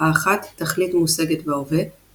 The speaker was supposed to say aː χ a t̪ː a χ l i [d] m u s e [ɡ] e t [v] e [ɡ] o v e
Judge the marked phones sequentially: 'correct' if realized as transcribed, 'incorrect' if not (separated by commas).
incorrect, correct, correct, incorrect